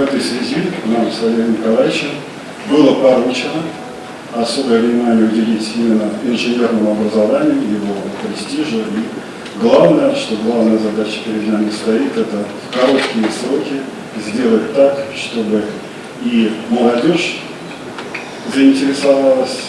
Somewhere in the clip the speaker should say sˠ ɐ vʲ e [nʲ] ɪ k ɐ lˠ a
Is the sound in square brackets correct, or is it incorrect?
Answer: correct